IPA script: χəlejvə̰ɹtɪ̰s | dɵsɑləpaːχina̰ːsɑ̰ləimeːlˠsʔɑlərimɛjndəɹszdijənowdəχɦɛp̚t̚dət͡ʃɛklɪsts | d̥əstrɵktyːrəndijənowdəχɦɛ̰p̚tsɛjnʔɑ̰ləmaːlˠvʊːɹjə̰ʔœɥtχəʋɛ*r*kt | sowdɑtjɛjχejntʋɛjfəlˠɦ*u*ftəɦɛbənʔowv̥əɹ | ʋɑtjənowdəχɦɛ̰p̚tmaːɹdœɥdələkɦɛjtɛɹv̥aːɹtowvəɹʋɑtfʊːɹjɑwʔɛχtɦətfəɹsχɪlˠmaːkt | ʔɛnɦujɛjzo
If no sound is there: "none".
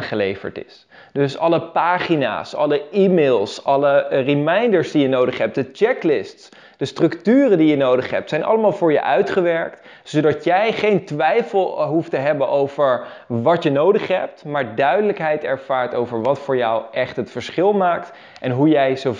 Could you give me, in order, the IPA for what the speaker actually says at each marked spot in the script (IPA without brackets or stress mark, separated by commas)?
ɹ, u